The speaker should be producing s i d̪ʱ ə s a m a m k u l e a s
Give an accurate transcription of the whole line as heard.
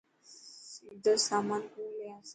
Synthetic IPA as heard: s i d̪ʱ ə s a m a n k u l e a s